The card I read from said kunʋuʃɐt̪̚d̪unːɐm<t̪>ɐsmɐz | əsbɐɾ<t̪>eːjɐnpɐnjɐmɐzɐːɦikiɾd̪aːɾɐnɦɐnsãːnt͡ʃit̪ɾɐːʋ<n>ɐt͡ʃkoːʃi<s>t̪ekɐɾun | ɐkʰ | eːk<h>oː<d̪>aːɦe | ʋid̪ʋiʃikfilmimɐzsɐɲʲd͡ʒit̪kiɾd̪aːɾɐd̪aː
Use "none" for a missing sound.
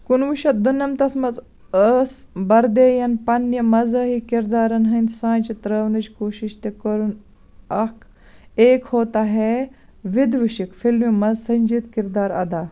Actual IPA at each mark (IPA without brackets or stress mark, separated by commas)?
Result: t̪, d̪, n, ʃ, h, t̪